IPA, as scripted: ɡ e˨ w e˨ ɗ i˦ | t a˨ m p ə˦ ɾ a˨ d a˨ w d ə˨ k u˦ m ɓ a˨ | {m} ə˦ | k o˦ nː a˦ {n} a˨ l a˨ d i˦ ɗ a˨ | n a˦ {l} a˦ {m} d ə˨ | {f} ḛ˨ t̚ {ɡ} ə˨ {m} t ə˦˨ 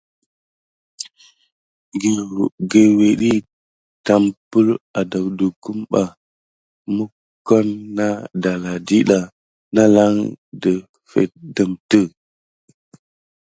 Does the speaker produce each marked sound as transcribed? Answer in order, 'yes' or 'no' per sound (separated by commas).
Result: yes, no, yes, no, yes, no, yes